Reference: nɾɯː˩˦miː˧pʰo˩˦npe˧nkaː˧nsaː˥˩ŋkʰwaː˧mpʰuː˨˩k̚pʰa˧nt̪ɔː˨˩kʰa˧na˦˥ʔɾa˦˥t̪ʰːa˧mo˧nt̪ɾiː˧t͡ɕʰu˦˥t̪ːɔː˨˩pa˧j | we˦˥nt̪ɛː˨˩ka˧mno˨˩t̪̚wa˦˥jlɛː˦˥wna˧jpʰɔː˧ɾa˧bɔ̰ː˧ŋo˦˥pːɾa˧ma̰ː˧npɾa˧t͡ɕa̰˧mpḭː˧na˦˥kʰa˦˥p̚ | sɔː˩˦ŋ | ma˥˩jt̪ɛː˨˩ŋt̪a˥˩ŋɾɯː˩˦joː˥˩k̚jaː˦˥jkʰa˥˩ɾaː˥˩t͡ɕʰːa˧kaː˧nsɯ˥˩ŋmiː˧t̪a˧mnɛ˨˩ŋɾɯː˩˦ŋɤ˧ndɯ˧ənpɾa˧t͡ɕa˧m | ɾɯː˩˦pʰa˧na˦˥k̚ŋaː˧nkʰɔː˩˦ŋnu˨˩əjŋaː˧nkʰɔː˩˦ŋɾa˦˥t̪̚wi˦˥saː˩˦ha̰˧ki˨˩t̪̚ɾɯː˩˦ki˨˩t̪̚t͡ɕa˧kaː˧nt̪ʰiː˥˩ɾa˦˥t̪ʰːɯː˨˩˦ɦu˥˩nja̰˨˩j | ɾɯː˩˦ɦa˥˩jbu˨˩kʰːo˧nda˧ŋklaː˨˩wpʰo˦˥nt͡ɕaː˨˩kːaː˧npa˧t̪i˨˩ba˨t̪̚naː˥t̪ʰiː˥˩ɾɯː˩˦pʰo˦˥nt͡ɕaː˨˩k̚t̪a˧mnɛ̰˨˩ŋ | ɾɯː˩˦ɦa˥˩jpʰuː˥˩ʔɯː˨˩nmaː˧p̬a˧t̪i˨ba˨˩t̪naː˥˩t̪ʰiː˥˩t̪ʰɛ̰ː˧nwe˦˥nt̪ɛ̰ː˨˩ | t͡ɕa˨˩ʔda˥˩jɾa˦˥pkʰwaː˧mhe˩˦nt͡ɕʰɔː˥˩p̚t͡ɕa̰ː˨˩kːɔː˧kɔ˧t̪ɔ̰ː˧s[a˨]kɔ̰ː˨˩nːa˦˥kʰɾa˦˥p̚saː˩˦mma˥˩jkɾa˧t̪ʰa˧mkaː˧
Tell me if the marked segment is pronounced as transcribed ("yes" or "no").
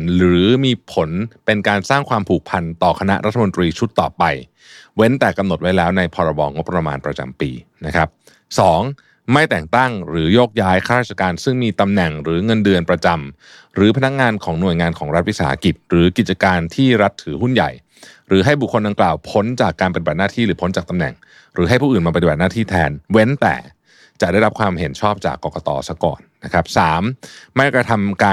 no